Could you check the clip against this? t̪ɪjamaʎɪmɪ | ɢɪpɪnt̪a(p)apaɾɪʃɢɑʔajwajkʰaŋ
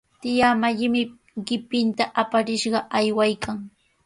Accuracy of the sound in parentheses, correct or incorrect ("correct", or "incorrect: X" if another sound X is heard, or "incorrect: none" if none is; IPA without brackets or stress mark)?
incorrect: ʔ